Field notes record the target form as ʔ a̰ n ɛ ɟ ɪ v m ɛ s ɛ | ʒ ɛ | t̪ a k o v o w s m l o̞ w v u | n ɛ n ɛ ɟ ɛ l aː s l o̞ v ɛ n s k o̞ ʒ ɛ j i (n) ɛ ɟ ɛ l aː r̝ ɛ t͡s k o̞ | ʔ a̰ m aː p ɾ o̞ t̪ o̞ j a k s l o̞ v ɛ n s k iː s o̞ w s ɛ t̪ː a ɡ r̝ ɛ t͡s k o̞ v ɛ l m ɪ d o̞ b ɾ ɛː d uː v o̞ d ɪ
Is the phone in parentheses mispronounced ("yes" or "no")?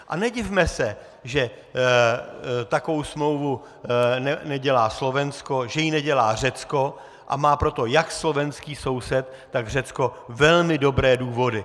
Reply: no